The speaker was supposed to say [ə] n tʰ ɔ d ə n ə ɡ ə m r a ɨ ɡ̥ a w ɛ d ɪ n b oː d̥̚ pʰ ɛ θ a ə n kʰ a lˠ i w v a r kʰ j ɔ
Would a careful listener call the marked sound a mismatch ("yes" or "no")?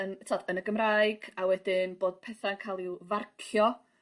no